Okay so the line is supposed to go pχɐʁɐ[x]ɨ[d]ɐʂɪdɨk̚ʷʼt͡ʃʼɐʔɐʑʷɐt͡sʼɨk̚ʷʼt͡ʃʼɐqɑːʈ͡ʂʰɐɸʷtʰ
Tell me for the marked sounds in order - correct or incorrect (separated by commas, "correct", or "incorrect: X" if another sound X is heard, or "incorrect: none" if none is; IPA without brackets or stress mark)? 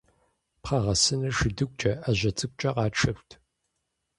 incorrect: s, incorrect: n